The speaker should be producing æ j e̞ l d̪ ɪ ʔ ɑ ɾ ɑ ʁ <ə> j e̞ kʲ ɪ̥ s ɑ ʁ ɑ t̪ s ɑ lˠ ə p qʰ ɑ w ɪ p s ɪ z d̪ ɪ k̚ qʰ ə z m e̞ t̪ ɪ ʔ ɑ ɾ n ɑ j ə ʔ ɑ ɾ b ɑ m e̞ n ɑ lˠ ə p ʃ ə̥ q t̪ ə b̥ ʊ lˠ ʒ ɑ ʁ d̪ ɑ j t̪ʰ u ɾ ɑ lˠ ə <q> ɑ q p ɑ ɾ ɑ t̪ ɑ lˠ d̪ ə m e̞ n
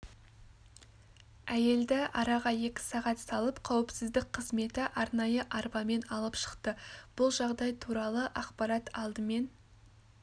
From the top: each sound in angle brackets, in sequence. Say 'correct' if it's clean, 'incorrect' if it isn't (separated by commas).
incorrect, incorrect